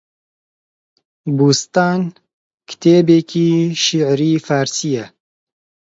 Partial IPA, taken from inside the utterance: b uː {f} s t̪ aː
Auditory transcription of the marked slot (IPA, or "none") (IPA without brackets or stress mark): none